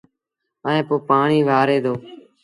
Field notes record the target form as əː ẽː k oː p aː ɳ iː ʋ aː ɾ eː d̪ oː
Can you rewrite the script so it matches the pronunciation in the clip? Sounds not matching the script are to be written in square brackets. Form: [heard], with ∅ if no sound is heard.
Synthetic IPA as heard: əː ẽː [p] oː p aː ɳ iː ʋ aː ɾ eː d̪ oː